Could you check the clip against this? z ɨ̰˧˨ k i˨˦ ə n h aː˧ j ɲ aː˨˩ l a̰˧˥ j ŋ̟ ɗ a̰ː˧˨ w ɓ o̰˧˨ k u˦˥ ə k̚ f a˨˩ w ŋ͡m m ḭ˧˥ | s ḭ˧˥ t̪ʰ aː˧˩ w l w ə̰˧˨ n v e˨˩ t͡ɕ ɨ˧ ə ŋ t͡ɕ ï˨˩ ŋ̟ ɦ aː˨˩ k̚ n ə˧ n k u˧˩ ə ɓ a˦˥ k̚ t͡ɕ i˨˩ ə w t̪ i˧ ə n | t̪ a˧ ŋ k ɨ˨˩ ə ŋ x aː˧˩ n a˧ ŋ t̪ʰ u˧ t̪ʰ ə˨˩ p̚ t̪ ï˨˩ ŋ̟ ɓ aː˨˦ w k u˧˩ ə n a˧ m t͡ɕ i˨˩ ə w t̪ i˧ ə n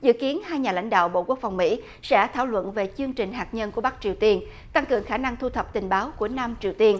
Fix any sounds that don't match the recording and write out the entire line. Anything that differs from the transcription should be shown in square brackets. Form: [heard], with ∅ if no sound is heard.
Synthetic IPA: z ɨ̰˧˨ k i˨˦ ə n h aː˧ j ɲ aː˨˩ l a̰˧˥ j ŋ̟ ɗ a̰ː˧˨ w ɓ o̰˧˨ k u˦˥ ə k̚ f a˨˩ w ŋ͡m m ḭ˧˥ | s [ɛ̰˧˥] t̪ʰ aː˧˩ w l w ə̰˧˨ n v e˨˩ t͡ɕ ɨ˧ ə ŋ t͡ɕ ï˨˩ ŋ̟ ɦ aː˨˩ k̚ [ɲ] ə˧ n k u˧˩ ə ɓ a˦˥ k̚ t͡ɕ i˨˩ ə w t̪ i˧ ə n | t̪ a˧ ŋ k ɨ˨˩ ə ŋ x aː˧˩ n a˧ ŋ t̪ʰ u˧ t̪ʰ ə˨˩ p̚ t̪ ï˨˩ ŋ̟ ɓ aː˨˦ w k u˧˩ ə n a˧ m t͡ɕ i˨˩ ə w t̪ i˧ ə n